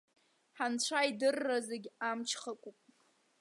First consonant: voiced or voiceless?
voiceless